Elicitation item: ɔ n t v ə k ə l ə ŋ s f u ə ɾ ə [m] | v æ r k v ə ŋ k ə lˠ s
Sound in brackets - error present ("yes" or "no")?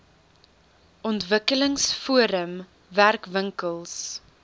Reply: no